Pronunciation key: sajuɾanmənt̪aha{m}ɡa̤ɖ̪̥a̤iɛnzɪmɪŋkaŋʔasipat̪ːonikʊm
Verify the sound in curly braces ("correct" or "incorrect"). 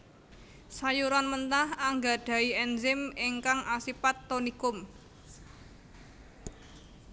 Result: incorrect